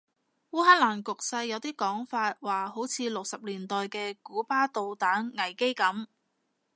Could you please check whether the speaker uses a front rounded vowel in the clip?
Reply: no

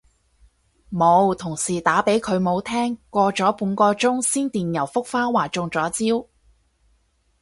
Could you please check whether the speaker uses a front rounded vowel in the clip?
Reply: no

